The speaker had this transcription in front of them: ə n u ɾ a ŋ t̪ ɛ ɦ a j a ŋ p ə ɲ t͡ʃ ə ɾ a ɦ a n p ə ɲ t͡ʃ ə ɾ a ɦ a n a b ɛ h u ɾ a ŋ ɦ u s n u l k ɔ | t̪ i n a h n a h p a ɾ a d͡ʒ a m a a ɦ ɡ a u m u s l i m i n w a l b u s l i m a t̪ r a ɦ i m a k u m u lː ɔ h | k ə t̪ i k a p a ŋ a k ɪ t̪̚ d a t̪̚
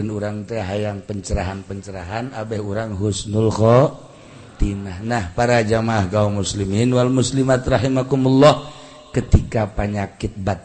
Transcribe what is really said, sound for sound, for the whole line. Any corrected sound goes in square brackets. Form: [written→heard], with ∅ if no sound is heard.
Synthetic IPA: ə n u ɾ a ŋ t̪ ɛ ɦ a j a ŋ p ə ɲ t͡ʃ ə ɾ a ɦ a n p ə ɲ t͡ʃ ə ɾ a ɦ a n a b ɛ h u ɾ a ŋ ɦ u s n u l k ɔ | t̪ i n a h n a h p a ɾ a d͡ʒ a m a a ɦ ɡ a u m u s l i m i n w a l [b→m] u s l i m a t̪ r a ɦ i m a k u m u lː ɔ h | k ə t̪ i k a p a [ŋ→ɲ] a k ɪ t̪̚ [d→b] a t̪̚